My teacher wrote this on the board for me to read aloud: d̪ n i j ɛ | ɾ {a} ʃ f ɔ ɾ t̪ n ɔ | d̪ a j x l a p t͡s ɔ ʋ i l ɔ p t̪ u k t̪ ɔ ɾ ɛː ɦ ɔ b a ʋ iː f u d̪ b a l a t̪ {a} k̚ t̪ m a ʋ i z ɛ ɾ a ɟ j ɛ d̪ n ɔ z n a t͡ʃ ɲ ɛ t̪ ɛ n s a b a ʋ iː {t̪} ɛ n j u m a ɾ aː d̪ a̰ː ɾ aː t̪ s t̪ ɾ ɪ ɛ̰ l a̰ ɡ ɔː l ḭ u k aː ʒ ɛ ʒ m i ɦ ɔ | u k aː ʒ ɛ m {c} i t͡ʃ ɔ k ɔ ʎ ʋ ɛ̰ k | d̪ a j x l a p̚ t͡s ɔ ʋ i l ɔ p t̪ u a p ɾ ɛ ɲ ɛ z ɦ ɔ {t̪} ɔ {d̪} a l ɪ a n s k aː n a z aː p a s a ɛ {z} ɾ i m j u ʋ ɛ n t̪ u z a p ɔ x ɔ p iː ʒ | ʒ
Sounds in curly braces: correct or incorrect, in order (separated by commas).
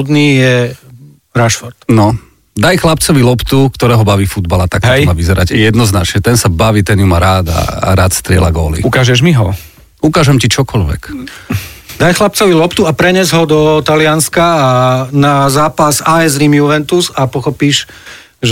correct, correct, correct, correct, incorrect, incorrect, correct